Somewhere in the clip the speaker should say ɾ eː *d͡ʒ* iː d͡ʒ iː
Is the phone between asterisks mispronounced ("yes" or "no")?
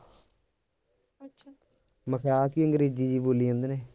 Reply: no